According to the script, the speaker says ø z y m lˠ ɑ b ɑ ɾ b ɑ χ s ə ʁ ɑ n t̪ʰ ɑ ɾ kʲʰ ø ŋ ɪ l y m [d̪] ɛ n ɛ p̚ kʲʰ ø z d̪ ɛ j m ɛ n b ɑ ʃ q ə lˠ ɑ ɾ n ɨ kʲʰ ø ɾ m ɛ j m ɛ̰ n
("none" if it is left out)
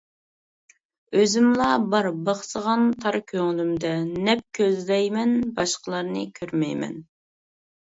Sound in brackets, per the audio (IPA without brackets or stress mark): d̪